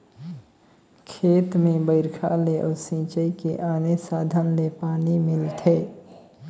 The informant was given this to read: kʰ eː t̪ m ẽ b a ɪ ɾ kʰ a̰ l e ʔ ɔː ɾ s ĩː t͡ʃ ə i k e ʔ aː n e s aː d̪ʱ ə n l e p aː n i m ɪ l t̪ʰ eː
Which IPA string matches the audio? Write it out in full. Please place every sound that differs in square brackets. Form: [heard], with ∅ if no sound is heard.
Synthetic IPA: kʰ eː t̪ m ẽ b [ə] ɪ ɾ kʰ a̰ l e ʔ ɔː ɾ s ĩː t͡ʃ ə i k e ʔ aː n e s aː d̪ʱ ə n l e p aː n i m ɪ l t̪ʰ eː